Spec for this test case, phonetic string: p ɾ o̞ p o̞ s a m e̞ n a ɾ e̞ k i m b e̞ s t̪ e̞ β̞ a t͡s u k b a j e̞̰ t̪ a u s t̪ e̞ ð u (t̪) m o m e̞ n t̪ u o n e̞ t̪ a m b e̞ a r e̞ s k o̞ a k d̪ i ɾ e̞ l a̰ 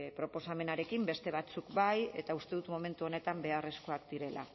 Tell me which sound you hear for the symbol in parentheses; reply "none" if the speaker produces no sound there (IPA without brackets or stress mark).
t̪